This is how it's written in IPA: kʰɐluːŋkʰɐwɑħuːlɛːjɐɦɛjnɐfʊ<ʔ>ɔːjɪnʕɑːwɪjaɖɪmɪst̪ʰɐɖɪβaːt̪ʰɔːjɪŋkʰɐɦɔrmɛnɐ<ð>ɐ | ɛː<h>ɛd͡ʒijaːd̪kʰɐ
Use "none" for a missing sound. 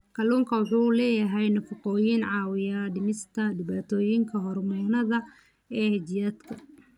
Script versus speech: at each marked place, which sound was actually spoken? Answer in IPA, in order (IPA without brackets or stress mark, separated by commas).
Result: q, ð, h